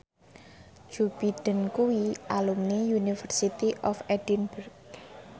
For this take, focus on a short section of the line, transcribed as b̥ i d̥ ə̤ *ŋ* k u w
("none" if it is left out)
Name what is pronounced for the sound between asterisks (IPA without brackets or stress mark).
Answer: n